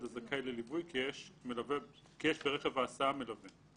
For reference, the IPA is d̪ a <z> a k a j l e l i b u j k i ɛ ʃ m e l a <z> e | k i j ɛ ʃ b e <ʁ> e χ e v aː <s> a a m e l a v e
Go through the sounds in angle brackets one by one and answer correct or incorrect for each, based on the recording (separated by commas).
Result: correct, incorrect, correct, correct